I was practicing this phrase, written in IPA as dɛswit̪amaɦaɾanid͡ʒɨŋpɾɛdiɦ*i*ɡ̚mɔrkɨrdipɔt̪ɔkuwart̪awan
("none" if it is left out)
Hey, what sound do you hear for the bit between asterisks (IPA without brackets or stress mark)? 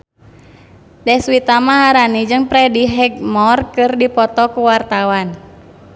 ɛ